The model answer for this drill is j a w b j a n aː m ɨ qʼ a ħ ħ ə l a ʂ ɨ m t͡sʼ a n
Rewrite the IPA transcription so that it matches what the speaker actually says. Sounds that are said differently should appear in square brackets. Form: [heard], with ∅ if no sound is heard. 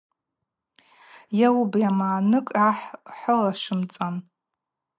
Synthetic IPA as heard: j a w b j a [m] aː [n] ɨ [kʼ] a ħ ħ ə l a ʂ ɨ m t͡sʼ a n